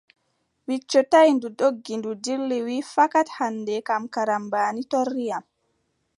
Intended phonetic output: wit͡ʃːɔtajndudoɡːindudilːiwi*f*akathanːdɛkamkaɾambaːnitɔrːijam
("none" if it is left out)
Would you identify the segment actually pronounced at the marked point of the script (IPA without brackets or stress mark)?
f